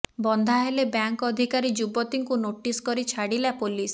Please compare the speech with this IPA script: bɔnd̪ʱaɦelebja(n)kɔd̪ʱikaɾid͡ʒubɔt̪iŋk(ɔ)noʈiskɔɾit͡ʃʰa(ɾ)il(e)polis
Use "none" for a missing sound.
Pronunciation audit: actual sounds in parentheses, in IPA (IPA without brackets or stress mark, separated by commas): ŋ, u, ɽ, a